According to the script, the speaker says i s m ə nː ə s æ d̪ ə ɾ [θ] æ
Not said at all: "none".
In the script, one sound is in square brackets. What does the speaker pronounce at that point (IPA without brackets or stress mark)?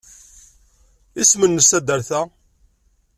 θ